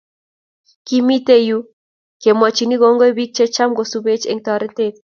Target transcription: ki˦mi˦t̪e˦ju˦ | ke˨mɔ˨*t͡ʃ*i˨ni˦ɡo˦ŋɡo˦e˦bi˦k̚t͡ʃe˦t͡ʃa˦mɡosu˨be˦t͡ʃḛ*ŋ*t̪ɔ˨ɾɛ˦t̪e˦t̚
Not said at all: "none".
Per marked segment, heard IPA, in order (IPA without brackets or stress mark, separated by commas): t͡ʃ, ŋ